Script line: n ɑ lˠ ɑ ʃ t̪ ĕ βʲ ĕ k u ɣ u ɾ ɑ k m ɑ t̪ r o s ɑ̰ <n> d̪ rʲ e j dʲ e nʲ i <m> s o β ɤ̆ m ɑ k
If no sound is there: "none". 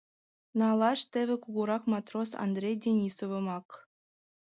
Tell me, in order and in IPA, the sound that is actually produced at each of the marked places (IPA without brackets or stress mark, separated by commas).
n, none